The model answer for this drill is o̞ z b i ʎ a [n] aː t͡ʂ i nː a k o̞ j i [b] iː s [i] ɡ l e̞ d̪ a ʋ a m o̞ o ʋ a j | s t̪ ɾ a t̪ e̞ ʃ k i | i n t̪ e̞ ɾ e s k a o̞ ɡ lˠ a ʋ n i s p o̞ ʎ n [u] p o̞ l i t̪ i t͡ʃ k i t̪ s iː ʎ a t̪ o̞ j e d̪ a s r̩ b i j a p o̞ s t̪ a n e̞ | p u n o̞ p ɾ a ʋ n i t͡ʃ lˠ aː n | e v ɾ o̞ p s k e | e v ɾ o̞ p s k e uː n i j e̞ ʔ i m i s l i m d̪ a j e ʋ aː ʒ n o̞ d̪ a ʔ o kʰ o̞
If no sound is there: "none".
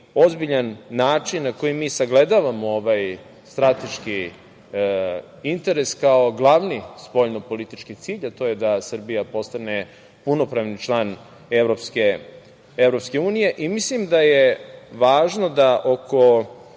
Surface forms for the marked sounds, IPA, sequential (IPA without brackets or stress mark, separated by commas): nː, m, a, o